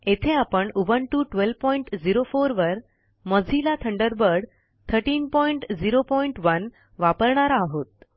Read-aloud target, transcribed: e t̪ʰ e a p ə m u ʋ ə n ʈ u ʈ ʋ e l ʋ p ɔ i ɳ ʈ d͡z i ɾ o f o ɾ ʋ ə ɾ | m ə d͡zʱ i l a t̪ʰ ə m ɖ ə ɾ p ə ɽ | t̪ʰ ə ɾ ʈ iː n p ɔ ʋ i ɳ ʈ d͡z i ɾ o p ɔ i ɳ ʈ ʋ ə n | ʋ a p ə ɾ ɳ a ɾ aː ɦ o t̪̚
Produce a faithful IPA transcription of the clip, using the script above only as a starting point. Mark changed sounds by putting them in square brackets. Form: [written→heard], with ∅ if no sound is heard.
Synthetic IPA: e t̪ʰ e a p ə [m→ɳ] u ʋ ə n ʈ u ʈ ʋ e l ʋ p ɔ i ɳ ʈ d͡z i ɾ o f o ɾ ʋ ə ɾ | m ə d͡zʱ i l a t̪ʰ ə [m→ɳ] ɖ ə ɾ [p→b] ə ɽ | t̪ʰ ə ɾ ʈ iː n p ɔ [ʋ→∅] i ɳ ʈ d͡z i ɾ o p ɔ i ɳ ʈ ʋ ə n | ʋ a p ə ɾ ɳ a ɾ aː ɦ o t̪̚